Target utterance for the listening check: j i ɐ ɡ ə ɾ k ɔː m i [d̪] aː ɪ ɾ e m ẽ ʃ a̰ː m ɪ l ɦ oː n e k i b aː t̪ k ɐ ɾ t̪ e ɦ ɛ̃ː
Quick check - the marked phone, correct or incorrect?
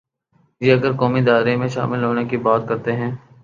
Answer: correct